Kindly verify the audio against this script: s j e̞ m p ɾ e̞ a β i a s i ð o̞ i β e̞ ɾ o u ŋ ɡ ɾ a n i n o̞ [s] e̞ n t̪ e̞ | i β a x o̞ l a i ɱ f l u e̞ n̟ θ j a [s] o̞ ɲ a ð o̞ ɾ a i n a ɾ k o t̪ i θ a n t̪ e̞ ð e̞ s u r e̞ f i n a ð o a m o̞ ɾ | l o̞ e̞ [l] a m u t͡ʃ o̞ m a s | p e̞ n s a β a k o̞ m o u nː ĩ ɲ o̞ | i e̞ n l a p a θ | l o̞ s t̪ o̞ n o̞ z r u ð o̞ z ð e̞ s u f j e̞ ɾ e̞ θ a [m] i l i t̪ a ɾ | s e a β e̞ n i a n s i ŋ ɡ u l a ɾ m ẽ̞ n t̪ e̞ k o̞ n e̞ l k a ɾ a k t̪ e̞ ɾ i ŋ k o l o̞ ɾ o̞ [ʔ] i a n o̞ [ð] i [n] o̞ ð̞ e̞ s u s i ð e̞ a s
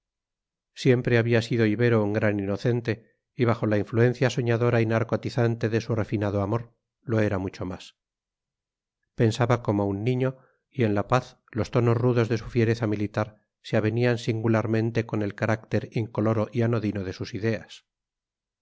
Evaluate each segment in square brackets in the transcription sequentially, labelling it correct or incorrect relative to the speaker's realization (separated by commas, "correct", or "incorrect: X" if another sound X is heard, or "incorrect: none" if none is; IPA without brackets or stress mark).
incorrect: θ, correct, incorrect: ɾ, correct, correct, correct, correct